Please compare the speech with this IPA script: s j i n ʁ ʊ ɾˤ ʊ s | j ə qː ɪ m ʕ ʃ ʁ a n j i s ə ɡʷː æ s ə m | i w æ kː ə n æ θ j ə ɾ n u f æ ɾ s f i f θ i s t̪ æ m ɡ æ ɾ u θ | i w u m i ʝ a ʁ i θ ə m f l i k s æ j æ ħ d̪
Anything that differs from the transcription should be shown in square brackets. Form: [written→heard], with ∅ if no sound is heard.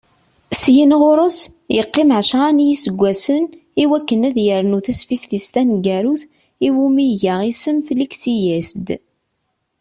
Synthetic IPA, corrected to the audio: s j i n ʁ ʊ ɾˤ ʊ s | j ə qː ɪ m ʕ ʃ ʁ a n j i s ə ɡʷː æ s ə [m→n] | i w æ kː ə n æ [θ→ð] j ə ɾ n u [f→θ] æ [ɾ→∅] s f i f θ i s t̪ æ [m→n] ɡ æ ɾ u θ | i w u m i ʝ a ʁ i [θ→s] ə m f l i k s [æ→i] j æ [ħ→s] d̪